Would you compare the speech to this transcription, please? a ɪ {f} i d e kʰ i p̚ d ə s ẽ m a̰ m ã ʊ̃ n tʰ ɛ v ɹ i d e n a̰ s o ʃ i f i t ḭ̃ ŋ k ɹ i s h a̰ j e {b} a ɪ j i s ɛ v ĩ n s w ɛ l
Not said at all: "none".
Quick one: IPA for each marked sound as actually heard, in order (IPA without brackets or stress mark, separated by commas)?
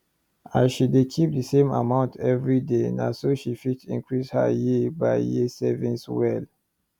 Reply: ʃ, b